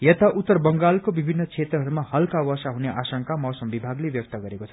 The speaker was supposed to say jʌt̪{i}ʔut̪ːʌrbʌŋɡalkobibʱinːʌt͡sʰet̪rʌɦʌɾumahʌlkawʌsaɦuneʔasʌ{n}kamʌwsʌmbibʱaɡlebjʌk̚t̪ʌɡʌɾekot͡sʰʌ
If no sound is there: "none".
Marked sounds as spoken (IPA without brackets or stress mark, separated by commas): a, ŋ